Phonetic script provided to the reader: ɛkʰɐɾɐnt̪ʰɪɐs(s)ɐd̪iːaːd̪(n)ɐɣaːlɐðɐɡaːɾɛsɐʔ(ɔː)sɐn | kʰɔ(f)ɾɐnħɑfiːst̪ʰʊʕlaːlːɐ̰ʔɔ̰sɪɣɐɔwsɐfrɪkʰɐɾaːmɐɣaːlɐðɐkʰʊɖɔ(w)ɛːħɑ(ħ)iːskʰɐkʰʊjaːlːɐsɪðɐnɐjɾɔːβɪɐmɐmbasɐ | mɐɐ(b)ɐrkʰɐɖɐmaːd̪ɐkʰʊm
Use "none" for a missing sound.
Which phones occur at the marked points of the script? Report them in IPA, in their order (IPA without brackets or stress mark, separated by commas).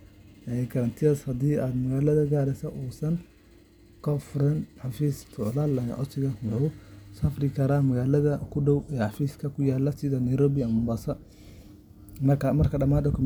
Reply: h, m, uː, f, w, f, m